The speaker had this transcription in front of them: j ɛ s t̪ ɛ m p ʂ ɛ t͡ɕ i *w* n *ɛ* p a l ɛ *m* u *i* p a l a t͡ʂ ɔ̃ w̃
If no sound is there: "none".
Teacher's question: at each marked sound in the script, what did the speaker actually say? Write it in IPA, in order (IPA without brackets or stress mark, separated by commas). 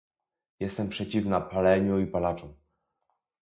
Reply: v, a, ɲ, i